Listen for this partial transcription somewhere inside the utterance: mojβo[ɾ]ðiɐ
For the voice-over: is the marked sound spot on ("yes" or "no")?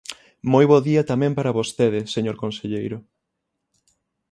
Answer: no